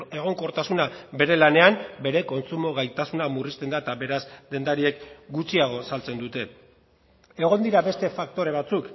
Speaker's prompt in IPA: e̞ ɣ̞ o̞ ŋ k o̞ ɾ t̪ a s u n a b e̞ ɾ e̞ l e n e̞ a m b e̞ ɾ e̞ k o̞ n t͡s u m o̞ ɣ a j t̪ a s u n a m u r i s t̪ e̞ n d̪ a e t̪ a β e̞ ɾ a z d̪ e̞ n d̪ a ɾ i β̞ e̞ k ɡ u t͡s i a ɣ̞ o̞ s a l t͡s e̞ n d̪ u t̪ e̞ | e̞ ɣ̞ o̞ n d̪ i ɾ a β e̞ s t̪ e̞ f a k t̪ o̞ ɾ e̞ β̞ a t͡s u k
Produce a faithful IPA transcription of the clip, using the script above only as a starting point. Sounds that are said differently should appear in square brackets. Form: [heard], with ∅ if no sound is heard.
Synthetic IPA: e̞ ɣ̞ o̞ ŋ k o̞ ɾ t̪ a s u n a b e̞ ɾ e̞ l [a] n e̞ a m b e̞ ɾ e̞ k o̞ n t͡s u m o̞ ɣ a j t̪ a s u n a m u r i s t̪ e̞ n d̪ a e t̪ a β e̞ ɾ a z d̪ e̞ n d̪ a ɾ i [∅] e̞ k ɡ u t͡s i a ɣ̞ o̞ s a l t͡s e̞ n d̪ u t̪ e̞ | e̞ ɣ̞ o̞ n d̪ i ɾ a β e̞ s t̪ e̞ f a k t̪ o̞ ɾ e̞ β̞ a t͡s u k